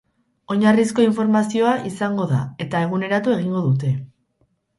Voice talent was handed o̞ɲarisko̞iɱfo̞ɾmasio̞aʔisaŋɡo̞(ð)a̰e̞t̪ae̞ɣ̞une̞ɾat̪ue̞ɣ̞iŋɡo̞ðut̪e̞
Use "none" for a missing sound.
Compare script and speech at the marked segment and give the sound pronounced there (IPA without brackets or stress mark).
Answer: ð